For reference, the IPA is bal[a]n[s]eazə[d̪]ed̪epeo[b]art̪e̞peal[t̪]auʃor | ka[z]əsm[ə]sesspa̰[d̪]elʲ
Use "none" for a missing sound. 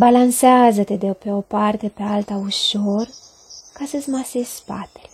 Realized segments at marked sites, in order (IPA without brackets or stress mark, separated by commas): a, s, t̪, p, t̪, s, a, t̪